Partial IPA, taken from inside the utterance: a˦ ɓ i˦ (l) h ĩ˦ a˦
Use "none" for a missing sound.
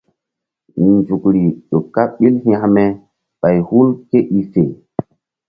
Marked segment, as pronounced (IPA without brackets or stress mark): l